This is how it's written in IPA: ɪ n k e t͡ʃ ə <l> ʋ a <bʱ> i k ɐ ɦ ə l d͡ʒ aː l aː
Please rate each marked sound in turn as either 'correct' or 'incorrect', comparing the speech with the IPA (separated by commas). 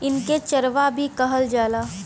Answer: incorrect, correct